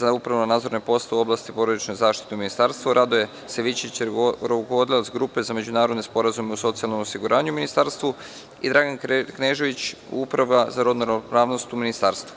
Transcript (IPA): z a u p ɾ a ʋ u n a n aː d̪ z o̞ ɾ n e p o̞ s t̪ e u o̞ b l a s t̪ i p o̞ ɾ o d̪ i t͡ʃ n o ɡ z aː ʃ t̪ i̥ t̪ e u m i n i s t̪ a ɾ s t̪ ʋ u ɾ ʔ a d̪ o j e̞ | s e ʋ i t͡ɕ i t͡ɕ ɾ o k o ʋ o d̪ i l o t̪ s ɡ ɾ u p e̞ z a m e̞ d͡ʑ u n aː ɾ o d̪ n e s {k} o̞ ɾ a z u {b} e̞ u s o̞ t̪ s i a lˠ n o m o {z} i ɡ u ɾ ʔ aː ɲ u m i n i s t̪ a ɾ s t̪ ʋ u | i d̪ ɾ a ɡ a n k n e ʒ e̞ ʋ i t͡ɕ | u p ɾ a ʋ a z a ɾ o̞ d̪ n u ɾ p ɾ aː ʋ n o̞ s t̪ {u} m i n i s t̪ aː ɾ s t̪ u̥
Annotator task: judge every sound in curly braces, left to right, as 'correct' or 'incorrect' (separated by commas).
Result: incorrect, incorrect, incorrect, correct